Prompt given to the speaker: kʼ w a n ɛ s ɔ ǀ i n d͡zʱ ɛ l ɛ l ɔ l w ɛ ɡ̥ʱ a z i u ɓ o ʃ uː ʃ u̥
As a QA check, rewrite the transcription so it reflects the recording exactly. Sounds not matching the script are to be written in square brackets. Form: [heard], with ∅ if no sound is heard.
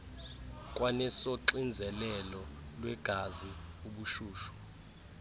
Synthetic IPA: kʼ w a n ɛ s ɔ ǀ i n d͡zʱ ɛ l ɛ l ɔ l w ɛ ɡ̥ʱ a z i u ɓ [u] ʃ uː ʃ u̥

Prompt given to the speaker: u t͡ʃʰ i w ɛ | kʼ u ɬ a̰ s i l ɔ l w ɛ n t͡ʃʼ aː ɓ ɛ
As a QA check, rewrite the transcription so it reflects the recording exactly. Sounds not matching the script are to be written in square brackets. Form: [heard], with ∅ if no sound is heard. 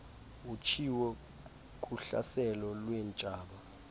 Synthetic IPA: u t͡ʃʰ i w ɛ | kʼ u ɬ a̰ s [ɛ] l ɔ l w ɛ n t͡ʃʼ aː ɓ [a]

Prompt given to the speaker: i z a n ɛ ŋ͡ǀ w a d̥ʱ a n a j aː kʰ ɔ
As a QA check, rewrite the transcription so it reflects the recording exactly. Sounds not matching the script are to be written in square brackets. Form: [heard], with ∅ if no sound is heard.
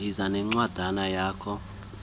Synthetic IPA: i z a n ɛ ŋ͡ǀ w a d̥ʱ a n a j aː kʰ ɔ

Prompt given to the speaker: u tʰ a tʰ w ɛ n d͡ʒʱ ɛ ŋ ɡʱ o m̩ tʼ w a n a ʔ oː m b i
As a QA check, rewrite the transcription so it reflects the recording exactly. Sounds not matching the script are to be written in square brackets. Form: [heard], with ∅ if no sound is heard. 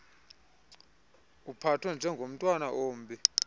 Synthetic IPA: u [pʰ] a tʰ w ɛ n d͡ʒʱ ɛ ŋ ɡʱ o m̩ tʼ w a n a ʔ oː m b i

